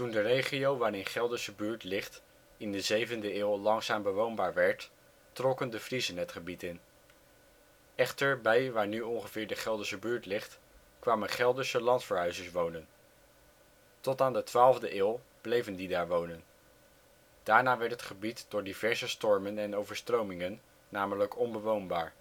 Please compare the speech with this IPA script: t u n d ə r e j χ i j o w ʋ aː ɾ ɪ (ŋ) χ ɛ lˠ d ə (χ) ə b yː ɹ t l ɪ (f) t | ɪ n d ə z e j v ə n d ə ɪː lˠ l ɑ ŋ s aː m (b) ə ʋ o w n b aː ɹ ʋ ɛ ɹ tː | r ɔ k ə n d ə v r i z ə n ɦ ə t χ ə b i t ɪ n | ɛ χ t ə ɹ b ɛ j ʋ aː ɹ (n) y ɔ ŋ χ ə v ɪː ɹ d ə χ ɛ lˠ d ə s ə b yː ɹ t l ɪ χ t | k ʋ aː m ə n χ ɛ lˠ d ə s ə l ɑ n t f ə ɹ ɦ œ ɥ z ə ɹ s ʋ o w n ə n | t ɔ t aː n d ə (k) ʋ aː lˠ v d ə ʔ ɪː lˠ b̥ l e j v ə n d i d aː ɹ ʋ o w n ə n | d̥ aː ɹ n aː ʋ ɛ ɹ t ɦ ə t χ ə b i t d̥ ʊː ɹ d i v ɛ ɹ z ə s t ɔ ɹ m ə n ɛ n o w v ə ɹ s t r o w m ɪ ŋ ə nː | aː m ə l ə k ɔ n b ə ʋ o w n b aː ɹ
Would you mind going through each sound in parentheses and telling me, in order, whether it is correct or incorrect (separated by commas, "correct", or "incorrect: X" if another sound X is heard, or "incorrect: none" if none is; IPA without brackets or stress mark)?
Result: incorrect: n, incorrect: s, incorrect: χ, correct, correct, incorrect: t